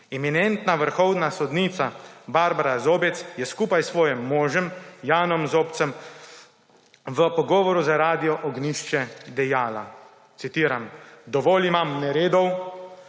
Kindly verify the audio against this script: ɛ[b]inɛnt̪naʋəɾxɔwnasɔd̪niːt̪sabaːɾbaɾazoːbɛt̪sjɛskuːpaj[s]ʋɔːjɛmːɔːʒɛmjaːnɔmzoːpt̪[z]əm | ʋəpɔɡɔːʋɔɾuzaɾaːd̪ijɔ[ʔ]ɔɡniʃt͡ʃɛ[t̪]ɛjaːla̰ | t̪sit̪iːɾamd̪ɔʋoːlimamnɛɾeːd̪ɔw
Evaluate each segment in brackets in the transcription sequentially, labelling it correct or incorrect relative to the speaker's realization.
incorrect, correct, incorrect, correct, incorrect

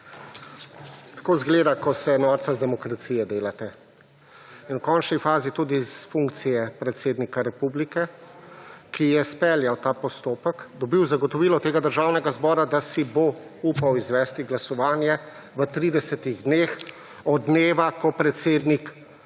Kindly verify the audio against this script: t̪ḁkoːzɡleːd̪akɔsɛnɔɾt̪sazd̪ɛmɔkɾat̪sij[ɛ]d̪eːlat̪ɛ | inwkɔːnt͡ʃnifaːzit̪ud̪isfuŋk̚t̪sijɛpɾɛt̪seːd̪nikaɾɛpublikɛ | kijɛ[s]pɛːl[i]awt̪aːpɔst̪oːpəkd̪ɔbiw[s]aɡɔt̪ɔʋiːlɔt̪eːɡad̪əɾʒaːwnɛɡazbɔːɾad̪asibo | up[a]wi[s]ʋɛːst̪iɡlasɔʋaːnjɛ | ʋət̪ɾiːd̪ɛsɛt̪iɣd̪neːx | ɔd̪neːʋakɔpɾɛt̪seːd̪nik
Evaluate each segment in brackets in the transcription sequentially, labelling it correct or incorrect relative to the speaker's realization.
correct, correct, incorrect, incorrect, correct, incorrect

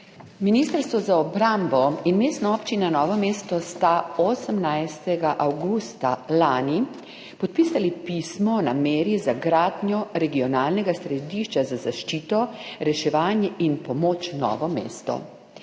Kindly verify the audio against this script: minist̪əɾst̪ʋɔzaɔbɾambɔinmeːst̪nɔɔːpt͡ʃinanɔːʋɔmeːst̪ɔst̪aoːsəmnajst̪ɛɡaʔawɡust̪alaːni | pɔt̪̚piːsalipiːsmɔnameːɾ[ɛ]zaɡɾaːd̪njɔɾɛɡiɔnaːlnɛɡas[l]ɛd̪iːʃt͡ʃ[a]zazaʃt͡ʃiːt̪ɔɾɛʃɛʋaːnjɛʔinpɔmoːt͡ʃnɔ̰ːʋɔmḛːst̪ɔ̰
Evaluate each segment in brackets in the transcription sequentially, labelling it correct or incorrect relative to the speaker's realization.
incorrect, incorrect, correct

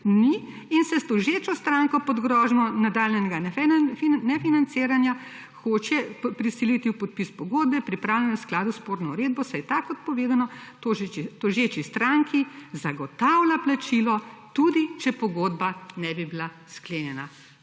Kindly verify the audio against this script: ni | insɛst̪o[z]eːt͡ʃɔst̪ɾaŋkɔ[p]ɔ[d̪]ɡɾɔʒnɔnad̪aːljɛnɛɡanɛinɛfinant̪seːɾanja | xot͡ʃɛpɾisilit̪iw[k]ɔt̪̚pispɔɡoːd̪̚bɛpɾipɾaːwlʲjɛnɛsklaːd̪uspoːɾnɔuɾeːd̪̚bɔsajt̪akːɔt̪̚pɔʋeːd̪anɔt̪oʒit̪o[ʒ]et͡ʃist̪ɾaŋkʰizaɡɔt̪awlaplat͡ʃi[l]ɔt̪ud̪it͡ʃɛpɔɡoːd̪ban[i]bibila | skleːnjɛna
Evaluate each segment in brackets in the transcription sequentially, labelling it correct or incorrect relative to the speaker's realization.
incorrect, correct, correct, incorrect, correct, correct, incorrect

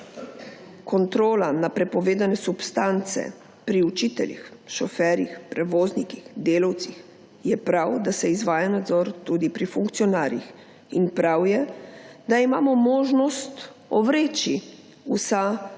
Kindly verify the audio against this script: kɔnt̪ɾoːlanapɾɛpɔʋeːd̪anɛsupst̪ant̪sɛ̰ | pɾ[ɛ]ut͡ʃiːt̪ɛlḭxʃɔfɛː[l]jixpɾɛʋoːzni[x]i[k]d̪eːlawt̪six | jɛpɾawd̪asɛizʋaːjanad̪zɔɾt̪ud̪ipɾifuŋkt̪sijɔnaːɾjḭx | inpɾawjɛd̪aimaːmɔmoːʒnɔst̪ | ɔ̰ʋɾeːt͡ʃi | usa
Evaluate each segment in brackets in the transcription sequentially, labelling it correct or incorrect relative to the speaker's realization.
incorrect, incorrect, incorrect, incorrect

